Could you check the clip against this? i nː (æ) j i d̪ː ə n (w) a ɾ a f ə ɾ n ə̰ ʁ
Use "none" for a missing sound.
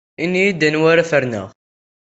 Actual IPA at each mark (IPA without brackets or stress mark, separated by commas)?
i, w